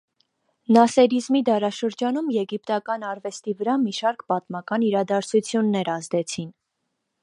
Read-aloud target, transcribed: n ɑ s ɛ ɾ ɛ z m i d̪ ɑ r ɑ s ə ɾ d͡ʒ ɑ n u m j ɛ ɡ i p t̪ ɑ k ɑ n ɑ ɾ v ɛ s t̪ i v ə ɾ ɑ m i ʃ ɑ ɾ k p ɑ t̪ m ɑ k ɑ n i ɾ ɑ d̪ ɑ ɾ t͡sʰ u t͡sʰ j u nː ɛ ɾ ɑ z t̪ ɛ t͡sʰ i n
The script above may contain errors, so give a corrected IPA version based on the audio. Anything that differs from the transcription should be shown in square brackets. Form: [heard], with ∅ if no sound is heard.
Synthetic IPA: n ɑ s ɛ ɾ [i] z m i d̪ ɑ [ɾ] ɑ [ʃ] ə ɾ d͡ʒ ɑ n u m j ɛ ɡ i p t̪ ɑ k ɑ n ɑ ɾ v ɛ s t̪ i v ə ɾ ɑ m i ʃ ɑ ɾ k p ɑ t̪ m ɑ k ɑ n i ɾ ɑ d̪ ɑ ɾ t͡sʰ u t͡sʰ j u nː ɛ ɾ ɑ z [d̪] ɛ t͡sʰ i n